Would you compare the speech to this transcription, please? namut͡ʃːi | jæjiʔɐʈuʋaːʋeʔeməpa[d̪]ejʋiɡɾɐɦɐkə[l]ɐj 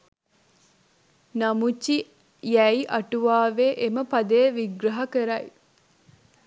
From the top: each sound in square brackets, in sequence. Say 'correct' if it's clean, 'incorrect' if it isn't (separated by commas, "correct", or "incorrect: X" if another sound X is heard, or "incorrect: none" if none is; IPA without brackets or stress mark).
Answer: correct, incorrect: ɾ